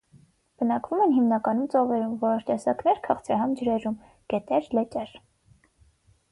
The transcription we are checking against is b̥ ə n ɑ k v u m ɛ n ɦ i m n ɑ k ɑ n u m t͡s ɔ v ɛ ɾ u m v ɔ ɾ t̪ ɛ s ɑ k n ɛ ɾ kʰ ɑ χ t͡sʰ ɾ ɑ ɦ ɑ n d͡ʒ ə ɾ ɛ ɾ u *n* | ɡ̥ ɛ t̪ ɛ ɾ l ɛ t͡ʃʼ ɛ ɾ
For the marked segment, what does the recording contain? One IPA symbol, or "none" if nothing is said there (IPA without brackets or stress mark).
m